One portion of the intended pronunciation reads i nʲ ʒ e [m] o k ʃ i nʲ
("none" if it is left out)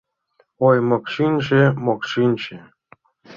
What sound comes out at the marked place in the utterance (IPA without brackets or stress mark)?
m